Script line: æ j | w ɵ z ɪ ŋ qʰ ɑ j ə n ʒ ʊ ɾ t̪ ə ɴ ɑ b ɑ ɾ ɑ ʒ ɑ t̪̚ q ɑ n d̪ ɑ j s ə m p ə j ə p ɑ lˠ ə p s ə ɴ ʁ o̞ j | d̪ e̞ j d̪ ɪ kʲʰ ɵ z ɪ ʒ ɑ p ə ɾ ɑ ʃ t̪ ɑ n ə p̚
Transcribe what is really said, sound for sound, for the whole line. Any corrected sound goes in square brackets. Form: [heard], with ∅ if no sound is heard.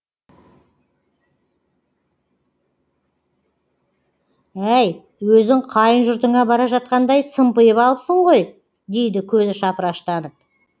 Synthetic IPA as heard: æ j | w ɵ z ɪ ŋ qʰ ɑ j ə n ʒ ʊ ɾ t̪ ə ɴ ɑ b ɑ ɾ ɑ ʒ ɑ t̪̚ q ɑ n d̪ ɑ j s ə m p ə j ə p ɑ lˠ ə p s ə ɴ ʁ o̞ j | d̪ e̞ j d̪ ɪ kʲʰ ɵ z ɪ [ʃ] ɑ p ə ɾ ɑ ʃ t̪ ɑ n ə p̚